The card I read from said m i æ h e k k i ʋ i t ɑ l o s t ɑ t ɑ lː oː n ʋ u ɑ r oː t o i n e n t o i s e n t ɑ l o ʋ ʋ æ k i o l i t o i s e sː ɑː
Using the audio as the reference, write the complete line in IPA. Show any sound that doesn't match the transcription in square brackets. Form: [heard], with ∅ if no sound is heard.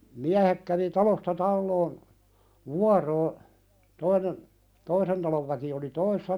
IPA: m i æ h e k k [æ] ʋ i t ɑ l o s t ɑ t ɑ lː oː n ʋ u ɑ r oː t o i n e n t o i s e n t ɑ l o ʋ ʋ æ k i o l i t o i s e sː [ɑ]